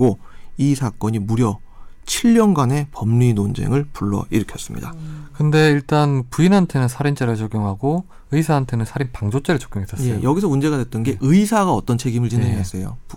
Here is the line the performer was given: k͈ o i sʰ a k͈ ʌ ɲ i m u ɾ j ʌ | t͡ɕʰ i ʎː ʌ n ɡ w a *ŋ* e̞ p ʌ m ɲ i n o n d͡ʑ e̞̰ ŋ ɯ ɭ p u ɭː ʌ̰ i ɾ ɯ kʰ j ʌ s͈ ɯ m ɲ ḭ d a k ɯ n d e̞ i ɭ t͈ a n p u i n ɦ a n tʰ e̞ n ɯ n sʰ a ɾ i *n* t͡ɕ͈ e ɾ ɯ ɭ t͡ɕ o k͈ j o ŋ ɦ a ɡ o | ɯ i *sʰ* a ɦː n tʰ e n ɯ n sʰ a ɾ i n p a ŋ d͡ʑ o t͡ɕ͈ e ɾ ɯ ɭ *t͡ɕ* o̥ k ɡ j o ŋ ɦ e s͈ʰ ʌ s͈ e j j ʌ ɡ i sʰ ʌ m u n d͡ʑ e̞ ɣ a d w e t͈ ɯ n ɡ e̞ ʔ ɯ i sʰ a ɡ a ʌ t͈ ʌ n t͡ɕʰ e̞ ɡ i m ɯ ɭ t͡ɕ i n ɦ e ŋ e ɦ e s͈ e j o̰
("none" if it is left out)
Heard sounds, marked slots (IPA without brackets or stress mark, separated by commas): n, n, sʰ, t͡ɕ